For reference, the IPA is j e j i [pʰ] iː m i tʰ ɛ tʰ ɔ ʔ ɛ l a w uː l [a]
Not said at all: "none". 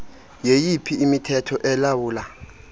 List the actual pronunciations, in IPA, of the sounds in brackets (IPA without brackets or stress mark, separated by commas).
pʰ, a